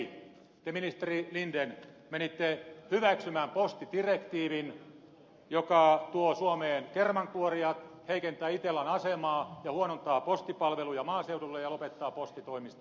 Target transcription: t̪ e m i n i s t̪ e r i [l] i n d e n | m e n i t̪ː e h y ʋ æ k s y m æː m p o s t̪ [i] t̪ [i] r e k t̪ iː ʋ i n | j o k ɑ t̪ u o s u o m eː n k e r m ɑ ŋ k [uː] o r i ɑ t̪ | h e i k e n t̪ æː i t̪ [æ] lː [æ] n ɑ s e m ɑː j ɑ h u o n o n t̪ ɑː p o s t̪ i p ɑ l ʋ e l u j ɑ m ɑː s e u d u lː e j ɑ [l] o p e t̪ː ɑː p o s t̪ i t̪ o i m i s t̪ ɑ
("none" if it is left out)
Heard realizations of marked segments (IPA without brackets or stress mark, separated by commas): l, i, i, u, e, æ, l